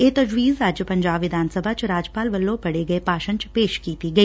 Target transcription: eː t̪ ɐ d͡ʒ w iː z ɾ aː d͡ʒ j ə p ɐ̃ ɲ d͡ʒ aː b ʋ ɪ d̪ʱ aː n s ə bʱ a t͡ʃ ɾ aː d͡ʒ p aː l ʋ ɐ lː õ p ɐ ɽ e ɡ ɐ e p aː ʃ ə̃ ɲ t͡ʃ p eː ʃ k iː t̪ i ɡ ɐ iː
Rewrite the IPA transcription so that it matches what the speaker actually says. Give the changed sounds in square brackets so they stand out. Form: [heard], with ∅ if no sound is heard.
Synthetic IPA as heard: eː t̪ ɐ d͡ʒ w iː z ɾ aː d͡ʒ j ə p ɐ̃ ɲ d͡ʒ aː b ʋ ɪ d̪ʱ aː n s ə bʱ a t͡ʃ ɾ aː d͡ʒ p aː l ʋ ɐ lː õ p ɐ ɽ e ɡ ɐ e p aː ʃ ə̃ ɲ t͡ʃ p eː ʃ k iː t̪ i ɡ ɐ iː